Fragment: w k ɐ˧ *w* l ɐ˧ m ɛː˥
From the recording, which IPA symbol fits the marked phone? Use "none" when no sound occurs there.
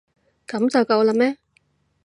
w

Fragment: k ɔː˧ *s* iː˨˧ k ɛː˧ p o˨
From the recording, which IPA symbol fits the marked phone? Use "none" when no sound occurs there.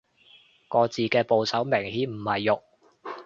t͡s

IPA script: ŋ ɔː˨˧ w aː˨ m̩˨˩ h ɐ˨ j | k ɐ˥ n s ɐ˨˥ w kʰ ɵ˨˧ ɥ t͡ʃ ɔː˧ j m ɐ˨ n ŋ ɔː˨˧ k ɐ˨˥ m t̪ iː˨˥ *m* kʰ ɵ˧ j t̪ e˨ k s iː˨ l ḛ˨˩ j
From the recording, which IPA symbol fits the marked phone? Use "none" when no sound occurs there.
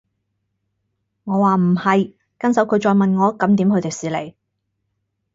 m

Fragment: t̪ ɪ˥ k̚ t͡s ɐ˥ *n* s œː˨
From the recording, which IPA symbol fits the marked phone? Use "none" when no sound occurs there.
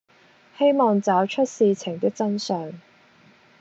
n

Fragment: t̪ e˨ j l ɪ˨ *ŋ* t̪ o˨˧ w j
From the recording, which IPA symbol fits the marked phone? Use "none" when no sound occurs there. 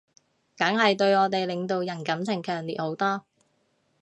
ŋ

